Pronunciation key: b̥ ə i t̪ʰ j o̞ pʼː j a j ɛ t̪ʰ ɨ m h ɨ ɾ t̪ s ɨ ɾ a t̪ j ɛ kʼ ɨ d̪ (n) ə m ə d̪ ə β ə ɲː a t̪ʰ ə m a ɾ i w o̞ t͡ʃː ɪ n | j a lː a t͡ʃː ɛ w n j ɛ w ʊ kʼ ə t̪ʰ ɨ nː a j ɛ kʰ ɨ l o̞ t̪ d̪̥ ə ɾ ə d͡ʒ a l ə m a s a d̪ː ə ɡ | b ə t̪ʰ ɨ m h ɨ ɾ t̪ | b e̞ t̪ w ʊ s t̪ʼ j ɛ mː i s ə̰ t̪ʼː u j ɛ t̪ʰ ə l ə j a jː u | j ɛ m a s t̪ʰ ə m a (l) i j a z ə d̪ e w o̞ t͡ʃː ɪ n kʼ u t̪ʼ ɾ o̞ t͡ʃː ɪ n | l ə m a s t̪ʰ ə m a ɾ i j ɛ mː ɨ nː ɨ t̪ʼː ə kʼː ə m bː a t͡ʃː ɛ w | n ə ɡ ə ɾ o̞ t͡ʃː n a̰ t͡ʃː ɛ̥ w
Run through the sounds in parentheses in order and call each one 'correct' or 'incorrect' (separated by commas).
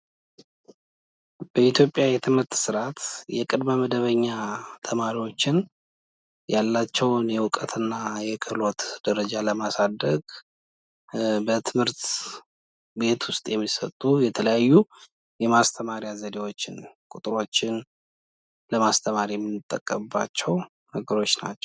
incorrect, incorrect